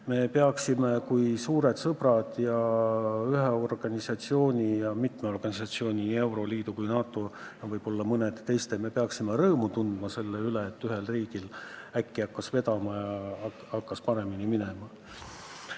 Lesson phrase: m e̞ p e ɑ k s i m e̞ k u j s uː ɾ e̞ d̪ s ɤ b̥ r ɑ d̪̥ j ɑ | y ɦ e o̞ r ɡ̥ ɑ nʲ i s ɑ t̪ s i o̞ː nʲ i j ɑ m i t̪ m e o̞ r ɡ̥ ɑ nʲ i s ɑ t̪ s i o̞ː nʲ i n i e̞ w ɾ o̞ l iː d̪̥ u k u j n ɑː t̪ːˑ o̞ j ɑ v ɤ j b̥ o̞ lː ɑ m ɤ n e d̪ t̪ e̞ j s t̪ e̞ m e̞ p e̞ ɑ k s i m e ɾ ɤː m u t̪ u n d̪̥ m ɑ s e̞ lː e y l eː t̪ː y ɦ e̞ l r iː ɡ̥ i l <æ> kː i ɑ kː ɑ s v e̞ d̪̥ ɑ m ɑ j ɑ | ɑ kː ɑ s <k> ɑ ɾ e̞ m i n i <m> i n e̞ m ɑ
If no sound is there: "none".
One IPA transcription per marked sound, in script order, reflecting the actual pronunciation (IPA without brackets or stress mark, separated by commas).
æ, p, m